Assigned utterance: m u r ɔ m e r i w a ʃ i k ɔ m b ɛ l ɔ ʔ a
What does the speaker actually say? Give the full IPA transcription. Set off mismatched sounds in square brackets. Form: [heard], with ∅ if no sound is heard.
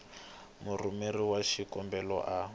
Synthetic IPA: m u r [u] m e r i w a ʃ i k ɔ m b ɛ l ɔ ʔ a